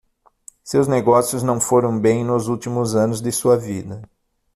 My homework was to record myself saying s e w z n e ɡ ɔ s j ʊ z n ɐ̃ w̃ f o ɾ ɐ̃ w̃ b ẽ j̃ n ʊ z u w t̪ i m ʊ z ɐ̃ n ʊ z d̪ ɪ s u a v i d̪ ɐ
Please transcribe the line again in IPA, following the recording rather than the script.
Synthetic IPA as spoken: s e w z n e ɡ ɔ s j ʊ z n ɐ̃ w̃ f o ɾ ɐ̃ w̃ b ẽ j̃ n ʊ z u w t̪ i m ʊ z ɐ̃ n ʊ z d̪ ɪ s u ɐ v i d̪ ɐ